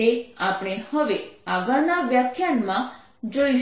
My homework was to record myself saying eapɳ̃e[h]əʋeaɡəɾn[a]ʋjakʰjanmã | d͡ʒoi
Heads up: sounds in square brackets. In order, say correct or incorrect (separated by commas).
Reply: correct, correct